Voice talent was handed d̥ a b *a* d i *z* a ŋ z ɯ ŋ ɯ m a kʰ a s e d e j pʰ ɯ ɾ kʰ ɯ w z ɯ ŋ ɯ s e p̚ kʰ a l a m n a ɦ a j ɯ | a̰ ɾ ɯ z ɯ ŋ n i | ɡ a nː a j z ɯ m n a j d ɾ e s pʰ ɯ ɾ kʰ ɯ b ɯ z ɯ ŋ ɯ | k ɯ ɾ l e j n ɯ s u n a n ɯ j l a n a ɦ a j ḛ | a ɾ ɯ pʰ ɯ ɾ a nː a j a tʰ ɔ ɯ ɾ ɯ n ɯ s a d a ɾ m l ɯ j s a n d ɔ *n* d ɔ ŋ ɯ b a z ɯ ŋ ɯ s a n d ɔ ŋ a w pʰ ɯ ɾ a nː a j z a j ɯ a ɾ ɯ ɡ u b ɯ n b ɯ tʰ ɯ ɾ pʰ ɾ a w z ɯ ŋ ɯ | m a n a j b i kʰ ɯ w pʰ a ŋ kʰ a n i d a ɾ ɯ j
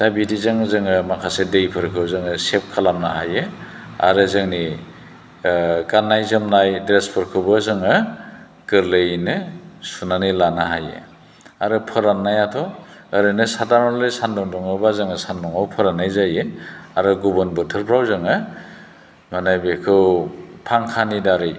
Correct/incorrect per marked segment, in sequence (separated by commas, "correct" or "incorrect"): incorrect, correct, incorrect